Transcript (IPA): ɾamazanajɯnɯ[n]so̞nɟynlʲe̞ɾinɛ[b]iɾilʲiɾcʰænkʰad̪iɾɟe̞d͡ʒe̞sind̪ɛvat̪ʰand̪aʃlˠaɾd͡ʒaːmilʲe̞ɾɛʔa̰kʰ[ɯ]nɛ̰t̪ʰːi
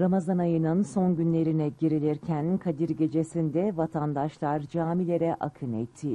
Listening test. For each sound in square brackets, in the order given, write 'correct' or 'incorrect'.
correct, incorrect: ɟ, correct

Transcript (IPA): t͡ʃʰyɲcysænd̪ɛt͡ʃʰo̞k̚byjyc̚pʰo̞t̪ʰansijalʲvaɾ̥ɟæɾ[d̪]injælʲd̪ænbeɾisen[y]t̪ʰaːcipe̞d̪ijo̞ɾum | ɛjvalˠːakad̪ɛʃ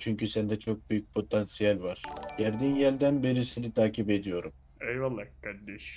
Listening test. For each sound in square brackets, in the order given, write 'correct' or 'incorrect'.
correct, incorrect: i

